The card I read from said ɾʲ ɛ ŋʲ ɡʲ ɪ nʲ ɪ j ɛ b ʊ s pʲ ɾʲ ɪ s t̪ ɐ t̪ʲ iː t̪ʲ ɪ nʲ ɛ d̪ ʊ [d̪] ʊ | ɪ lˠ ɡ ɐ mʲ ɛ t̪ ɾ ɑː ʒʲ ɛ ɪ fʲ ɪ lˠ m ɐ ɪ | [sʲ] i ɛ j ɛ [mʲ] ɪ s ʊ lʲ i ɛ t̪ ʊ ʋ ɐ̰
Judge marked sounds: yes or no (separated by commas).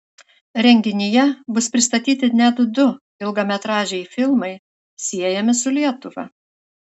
yes, yes, yes